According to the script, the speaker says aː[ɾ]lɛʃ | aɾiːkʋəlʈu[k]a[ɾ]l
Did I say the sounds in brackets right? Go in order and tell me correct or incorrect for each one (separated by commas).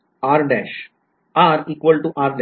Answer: correct, incorrect, correct